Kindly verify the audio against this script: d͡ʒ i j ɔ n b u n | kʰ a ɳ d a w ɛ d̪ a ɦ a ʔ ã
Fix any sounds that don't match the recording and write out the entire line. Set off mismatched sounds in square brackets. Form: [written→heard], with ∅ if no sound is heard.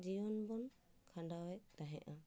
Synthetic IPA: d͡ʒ i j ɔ n b [u→ɔ] n | kʰ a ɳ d a w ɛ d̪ a ɦ [a→ɛ] ʔ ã